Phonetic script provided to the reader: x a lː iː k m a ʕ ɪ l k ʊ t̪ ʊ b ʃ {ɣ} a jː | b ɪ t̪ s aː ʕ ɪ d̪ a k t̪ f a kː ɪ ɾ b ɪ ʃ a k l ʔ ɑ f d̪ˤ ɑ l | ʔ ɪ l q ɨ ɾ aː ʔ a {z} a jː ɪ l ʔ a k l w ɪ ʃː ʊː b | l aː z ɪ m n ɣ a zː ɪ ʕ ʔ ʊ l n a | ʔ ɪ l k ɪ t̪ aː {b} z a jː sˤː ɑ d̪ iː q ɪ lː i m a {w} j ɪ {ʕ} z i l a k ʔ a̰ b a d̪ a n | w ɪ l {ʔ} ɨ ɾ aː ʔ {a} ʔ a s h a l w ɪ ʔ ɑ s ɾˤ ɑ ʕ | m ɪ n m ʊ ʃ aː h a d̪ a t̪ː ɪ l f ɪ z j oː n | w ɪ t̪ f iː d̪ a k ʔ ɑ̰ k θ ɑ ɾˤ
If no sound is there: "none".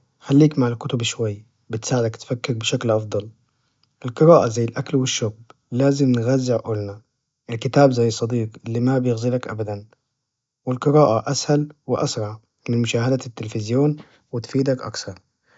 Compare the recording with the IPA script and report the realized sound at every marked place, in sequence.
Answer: w, z, b, b, ɣ, q, a

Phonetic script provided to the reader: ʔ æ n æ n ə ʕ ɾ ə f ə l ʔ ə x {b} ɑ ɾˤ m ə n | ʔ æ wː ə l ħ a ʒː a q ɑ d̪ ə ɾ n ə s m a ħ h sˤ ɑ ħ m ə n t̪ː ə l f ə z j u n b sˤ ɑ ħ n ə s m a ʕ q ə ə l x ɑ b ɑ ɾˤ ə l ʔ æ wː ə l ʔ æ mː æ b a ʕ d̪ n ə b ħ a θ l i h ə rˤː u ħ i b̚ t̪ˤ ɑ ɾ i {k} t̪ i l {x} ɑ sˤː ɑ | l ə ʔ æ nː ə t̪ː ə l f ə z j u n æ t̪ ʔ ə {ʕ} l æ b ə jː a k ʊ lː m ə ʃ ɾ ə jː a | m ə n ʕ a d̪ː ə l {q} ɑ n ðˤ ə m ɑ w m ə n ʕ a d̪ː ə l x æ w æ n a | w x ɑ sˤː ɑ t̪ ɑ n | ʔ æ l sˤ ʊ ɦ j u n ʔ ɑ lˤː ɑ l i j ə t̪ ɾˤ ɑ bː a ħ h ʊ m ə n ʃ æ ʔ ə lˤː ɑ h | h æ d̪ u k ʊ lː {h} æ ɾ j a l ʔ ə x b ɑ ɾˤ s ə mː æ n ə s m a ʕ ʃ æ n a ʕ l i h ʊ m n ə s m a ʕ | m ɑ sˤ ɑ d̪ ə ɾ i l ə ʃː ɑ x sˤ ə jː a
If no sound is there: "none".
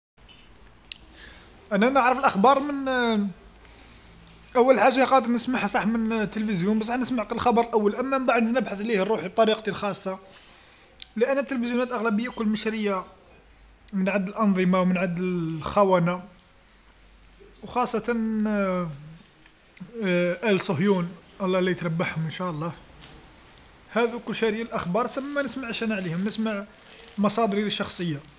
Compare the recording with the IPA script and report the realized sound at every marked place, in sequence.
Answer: b, q, x, ɣ, ʔ, ʃ

